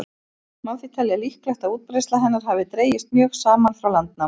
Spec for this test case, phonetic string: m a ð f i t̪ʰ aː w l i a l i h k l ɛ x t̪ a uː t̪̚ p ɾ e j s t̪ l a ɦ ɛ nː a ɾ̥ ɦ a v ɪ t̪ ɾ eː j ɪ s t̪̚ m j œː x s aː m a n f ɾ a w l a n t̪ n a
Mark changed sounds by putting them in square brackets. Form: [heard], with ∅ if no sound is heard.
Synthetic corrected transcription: m a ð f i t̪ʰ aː [∅] l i a l i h k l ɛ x t̪ a uː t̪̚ p ɾ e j s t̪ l a ɦ ɛ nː a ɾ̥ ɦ a v ɪ t̪ ɾ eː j ɪ s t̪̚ m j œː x s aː m a n f ɾ a w l a n t̪ n a

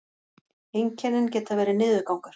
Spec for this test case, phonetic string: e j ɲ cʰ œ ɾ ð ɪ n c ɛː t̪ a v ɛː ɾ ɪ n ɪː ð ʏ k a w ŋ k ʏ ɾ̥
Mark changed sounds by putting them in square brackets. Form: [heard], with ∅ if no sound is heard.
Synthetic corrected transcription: e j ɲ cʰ [ɛ] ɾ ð ɪ n c ɛː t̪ a v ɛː ɾ ɪ n ɪː ð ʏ k a w ŋ k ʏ ɾ̥

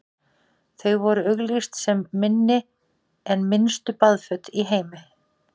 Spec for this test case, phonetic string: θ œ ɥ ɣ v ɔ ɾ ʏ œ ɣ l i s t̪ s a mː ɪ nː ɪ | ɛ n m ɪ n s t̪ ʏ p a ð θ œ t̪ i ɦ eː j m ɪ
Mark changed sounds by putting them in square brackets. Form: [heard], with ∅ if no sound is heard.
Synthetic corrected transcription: θ œ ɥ ɣ v ɔ ɾ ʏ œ ɣ l i s t̪ s [ɛ] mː ɪ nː ɪ | ɛ n m ɪ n s t̪ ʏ p a ð [f] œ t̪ i ɦ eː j m ɪ

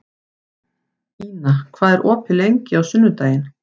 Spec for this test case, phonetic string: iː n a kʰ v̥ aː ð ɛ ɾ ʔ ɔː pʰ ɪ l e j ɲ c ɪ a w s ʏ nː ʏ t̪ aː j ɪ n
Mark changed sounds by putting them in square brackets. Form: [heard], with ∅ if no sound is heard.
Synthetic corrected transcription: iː n a kʰ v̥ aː ð ɛ ɾ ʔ ɔː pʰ ɪ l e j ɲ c ɪ a w s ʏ nː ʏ t̪ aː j ɪ n

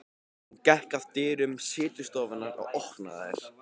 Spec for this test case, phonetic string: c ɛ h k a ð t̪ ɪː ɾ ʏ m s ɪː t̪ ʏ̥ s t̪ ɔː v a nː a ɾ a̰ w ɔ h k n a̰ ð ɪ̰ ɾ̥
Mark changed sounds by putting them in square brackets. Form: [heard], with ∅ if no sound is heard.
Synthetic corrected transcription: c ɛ h k a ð t̪ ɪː ɾ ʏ m s ɪː t̪ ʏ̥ s t̪ ɔː v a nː a ɾ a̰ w ɔ h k n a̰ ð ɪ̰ ɾ̥

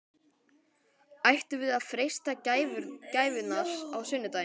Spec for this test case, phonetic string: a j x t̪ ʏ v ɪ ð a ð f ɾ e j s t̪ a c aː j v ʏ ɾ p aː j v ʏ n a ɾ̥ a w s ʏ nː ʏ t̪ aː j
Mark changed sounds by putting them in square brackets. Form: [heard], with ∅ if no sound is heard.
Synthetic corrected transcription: a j [h] t̪ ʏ v ɪ ð a ð f ɾ e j s t̪ a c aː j v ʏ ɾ [c] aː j v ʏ n a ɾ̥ a w s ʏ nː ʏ t̪ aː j

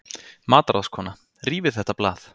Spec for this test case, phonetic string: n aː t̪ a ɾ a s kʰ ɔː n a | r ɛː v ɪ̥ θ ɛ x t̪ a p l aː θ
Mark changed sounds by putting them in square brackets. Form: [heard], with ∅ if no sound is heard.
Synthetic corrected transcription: [m] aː t̪ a ɾ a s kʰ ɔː n a | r [iː] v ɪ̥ θ ɛ [h] t̪ a p l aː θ

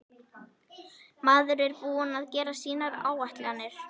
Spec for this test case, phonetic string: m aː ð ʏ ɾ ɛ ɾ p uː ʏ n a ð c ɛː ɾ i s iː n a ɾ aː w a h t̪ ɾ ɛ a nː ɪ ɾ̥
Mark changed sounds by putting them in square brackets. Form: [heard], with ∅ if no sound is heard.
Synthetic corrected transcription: m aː ð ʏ ɾ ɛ ɾ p uː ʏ n a ð c ɛː ɾ [a] s iː n a ɾ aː w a h t̪ [l] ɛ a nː ɪ ɾ̥

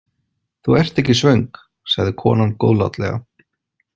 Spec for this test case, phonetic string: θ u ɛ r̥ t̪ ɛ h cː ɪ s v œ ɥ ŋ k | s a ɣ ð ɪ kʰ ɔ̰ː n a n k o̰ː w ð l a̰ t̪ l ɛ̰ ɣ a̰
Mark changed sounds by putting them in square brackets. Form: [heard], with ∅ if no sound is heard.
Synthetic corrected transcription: θ u ɛ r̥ t̪ ɛ h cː ɪ s v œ ɥ ŋ k | s a ɣ ð ɪ kʰ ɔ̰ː n a n k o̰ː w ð l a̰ t̪ l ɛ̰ ɣ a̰

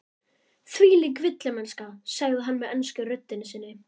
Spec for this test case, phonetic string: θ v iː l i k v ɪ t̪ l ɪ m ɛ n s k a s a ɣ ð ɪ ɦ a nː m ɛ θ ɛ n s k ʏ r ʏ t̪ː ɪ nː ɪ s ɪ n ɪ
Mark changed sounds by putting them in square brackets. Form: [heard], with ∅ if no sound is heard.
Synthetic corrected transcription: θ v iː l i k v ɪ t̪ l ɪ m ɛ n s k a s a ɣ ð ɪ ɦ a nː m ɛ [ð] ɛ n s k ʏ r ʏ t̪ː ɪ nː ɪ s ɪ [nː] ɪ

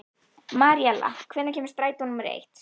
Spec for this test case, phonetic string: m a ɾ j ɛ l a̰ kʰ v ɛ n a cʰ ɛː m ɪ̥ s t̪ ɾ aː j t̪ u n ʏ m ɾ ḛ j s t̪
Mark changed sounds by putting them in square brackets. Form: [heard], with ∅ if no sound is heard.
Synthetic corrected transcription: m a ɾ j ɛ l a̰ kʰ v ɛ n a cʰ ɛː m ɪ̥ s t̪ ɾ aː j t̪ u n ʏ m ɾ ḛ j [h] t̪

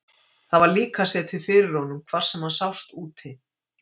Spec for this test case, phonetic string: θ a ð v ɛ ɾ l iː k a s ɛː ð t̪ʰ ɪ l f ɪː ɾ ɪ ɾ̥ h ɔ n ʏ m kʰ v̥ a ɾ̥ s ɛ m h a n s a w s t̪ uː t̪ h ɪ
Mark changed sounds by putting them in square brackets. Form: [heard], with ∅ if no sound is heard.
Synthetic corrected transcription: θ a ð v [a] ɾ l iː k a s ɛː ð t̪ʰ ɪ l f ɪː ɾ ɪ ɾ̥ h ɔ n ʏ m kʰ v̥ a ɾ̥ s ɛ m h a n s a w s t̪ uː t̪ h ɪ

